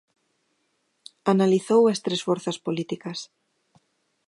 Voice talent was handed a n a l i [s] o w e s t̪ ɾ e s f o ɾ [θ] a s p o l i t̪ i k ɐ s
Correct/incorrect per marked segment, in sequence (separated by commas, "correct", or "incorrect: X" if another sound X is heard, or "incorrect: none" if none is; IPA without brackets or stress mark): incorrect: θ, correct